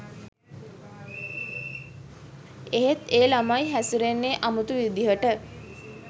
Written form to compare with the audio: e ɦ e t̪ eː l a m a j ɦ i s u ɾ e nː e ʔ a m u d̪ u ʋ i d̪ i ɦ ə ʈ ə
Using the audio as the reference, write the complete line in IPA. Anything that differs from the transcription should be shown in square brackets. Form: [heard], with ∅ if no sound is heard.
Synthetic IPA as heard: e ɦ e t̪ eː l a m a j ɦ [æ] s u ɾ e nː e ʔ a m u [t̪] u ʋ i d̪ i ɦ ə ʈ ə